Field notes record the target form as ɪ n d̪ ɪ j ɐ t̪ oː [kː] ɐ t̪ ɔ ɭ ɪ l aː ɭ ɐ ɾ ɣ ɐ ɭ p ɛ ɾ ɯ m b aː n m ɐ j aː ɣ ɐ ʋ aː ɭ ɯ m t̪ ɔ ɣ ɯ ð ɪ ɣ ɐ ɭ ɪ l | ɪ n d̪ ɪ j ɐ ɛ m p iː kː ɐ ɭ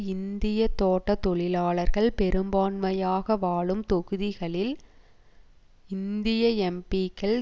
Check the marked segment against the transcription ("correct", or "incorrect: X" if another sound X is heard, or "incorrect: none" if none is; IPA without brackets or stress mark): incorrect: ʈː